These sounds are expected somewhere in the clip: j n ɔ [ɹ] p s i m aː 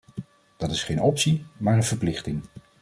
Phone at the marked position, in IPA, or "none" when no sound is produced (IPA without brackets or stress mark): none